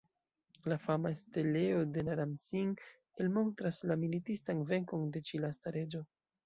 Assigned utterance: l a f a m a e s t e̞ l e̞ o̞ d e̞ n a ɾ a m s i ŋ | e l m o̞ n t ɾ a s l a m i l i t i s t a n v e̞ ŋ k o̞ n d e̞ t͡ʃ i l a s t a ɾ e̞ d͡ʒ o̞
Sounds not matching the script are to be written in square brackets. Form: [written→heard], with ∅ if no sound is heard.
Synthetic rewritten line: l a f a m a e s t e̞ l e̞ o̞ d e̞ n a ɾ a m s i ŋ | e l m o̞ n t ɾ a s l a m i l i t i s t a n v e̞ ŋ k o̞ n d e̞ t͡ʃ i l a s t a ɾ e̞ d͡ʒ o̞

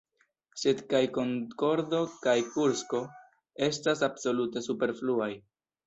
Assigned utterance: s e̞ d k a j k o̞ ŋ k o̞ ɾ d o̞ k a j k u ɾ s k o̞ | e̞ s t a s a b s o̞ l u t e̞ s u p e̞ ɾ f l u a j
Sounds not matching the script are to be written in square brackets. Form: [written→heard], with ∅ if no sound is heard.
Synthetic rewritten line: s e̞ d k a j k o̞ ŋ k o̞ ɾ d o̞ k a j k u ɾ s k o̞ | e̞ s t a s a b s o̞ l u t e̞ s u p e̞ ɾ f l u a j

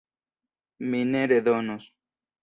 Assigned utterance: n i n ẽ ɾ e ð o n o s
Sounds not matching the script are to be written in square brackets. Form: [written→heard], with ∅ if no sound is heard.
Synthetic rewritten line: [n→m] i n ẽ ɾ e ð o n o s

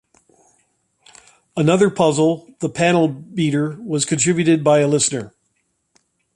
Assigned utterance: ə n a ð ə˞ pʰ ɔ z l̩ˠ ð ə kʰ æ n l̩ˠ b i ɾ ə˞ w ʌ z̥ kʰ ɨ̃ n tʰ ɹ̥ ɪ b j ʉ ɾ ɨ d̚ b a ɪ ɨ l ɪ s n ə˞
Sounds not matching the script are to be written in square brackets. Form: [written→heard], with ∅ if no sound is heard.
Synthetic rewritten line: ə n [a→ʌ] ð ə˞ pʰ [ɔ→ʌ] z l̩ˠ ð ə [kʰ→pʰ] æ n l̩ˠ b i ɾ ə˞ w ʌ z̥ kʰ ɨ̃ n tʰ ɹ̥ ɪ b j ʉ ɾ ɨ d̚ b a ɪ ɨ l ɪ s n ə˞

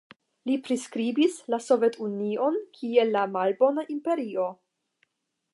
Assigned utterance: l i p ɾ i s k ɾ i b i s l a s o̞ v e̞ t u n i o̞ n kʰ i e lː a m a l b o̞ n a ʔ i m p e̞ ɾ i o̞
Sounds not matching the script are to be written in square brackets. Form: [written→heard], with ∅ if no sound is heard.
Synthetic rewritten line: l i p ɾ i s k ɾ i b i s l a s o̞ v e̞ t u n i o̞ n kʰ i e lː a m a l b o̞ n a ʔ i m p e̞ ɾ i o̞

